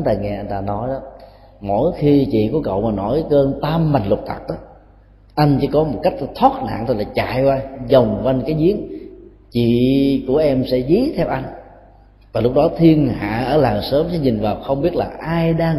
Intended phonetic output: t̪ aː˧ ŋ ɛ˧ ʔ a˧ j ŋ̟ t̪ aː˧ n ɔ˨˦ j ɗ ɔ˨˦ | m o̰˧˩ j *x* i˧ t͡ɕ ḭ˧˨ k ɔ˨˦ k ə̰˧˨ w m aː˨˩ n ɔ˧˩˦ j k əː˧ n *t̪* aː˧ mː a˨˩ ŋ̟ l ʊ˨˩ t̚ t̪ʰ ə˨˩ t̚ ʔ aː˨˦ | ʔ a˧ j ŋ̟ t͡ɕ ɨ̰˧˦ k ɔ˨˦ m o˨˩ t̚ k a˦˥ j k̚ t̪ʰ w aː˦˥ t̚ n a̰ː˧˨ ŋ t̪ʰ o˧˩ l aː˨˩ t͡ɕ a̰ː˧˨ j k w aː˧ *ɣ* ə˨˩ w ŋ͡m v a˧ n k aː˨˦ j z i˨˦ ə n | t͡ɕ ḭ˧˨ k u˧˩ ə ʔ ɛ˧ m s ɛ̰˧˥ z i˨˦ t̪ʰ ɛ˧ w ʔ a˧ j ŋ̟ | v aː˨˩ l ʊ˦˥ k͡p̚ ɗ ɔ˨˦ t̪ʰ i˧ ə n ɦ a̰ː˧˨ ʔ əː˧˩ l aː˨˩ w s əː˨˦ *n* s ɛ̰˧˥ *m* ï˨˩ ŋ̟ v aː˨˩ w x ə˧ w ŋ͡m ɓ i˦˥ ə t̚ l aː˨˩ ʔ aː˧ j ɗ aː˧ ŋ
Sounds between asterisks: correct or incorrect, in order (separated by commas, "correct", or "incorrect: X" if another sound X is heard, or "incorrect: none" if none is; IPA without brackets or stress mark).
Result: correct, correct, incorrect: z, incorrect: m, incorrect: ɲ